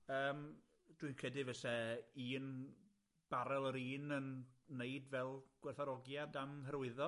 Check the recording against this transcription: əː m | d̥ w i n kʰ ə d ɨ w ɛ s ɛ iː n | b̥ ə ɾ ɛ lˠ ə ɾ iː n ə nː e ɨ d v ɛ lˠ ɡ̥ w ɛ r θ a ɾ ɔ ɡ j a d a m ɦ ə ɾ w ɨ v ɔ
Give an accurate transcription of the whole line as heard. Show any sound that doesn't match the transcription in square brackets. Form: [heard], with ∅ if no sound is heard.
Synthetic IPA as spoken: əː m | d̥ w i n kʰ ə d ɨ [v] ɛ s ɛ iː n | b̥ [a] ɾ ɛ lˠ ə ɾ iː n ə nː e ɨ d v ɛ lˠ ɡ̥ w ɛ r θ a ɾ ɔ ɡ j a d a m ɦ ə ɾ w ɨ [ð] ɔ